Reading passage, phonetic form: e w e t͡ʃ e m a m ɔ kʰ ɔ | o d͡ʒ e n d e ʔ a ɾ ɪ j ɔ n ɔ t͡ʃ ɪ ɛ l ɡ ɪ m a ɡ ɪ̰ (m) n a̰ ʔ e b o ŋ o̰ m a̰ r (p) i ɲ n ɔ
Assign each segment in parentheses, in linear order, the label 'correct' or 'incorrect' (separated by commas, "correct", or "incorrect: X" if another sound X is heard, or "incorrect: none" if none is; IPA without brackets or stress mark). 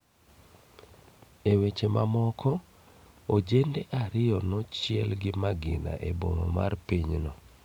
incorrect: none, correct